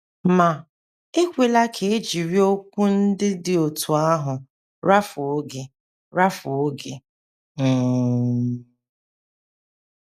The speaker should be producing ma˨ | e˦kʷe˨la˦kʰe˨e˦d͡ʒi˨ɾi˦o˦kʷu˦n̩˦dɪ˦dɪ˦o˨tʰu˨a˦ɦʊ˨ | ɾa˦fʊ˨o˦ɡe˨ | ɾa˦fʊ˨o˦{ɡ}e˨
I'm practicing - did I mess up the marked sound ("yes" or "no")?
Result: no